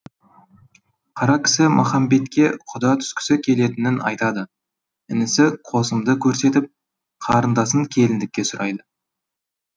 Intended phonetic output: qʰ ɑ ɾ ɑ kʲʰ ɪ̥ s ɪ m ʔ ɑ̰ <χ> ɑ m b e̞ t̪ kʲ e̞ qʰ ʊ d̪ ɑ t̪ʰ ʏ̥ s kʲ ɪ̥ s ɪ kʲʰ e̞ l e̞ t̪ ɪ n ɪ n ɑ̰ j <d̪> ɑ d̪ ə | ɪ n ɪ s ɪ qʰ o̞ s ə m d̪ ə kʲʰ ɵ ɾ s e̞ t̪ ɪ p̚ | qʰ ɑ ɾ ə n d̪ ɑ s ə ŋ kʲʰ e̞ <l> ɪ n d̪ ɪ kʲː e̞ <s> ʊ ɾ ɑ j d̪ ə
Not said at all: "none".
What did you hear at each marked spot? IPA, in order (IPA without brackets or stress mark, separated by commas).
χ, t̪, l, s